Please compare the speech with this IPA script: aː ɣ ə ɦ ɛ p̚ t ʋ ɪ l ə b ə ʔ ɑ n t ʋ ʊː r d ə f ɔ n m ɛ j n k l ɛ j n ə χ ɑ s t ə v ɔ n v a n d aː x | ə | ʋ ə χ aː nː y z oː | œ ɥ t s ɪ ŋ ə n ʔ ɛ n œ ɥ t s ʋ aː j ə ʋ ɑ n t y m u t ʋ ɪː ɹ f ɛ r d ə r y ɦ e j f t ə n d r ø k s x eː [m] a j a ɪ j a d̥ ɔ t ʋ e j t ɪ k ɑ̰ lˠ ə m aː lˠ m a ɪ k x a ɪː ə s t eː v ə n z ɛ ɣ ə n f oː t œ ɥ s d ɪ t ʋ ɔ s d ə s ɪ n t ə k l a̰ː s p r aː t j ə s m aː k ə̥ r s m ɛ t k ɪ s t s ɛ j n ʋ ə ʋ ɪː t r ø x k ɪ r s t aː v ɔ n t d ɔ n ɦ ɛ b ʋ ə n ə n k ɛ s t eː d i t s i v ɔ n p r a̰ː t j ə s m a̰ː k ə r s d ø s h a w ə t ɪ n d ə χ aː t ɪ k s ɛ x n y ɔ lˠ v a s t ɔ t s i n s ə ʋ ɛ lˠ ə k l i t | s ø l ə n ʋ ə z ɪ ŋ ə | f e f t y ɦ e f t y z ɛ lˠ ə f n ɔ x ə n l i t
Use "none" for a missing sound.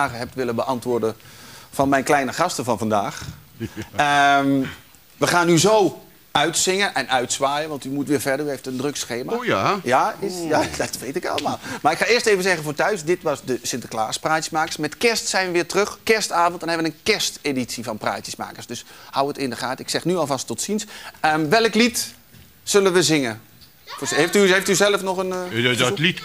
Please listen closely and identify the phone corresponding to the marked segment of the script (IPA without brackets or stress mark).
m